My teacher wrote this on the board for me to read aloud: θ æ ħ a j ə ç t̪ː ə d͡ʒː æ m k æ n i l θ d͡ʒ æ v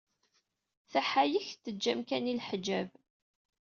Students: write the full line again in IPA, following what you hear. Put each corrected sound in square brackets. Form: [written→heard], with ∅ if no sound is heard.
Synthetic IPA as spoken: θ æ ħ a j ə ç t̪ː ə d͡ʒː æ m k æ n i l [θ→ħ] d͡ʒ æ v